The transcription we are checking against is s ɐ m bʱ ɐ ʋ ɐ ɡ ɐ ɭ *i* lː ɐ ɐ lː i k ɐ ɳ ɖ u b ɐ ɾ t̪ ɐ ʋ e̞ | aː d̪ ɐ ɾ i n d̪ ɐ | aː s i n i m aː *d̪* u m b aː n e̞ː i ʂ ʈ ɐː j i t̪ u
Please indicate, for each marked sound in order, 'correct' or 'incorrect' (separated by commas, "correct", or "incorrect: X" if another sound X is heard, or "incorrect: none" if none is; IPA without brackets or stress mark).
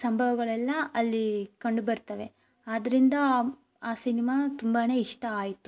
incorrect: ɛ, incorrect: t̪